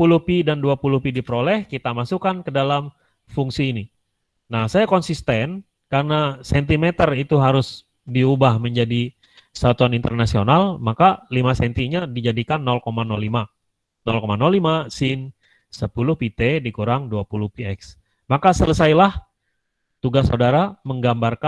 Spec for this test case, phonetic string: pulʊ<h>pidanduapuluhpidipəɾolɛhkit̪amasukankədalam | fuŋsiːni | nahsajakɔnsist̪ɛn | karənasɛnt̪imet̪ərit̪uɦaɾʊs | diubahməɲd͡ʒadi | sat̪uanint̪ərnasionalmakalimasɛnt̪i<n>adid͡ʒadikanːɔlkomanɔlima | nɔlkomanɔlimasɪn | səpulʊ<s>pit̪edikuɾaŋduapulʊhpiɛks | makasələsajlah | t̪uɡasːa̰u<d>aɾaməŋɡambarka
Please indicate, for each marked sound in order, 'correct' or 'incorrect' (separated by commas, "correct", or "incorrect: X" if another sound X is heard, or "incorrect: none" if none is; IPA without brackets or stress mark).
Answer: correct, incorrect: ɲ, incorrect: h, correct